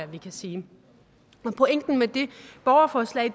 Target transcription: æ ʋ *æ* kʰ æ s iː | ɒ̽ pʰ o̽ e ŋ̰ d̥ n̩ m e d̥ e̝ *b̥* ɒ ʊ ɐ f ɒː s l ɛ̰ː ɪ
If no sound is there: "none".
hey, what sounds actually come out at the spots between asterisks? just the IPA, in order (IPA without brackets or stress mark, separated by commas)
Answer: i, b̥